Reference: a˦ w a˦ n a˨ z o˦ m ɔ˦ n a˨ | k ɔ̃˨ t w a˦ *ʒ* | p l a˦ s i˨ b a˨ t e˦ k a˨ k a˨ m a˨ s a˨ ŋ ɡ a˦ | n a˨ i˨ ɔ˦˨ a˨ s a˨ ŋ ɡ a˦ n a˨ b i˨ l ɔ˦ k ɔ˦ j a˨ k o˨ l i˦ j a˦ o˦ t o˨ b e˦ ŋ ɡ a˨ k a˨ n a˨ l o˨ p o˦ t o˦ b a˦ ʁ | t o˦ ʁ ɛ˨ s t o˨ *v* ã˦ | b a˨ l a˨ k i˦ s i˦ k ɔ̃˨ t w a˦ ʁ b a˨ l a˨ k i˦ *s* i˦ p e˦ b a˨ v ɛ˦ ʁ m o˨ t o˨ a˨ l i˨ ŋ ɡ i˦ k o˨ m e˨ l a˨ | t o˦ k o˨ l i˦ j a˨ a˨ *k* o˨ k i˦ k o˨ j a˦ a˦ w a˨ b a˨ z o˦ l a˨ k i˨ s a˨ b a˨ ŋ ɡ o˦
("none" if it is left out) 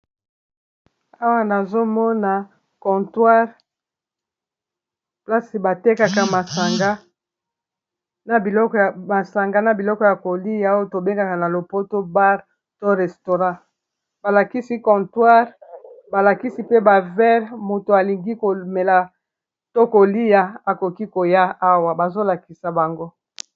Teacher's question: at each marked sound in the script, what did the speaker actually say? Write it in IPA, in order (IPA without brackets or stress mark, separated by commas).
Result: ʁ, ʁ, s, k